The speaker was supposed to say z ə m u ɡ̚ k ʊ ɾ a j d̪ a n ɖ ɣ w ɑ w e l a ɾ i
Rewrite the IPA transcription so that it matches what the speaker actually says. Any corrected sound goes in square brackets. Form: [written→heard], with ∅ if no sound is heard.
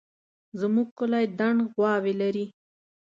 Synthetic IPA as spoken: z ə m u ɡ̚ k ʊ [ɾ→l] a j d̪ a [n→ɳ] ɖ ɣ w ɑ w e l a ɾ i